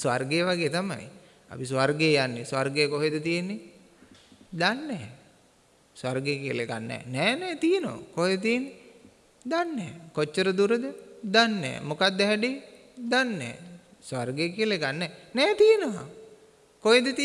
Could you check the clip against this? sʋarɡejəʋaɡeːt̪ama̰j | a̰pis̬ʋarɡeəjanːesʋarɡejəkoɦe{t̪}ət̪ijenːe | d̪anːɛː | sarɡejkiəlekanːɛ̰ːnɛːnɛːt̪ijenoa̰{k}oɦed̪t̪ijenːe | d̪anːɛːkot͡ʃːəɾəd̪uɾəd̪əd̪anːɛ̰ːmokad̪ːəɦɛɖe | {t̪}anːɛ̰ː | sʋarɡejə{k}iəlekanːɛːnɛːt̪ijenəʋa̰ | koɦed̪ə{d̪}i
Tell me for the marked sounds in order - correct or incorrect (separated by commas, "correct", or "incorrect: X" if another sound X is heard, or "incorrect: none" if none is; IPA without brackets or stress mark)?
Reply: incorrect: d̪, correct, incorrect: d̪, correct, incorrect: t̪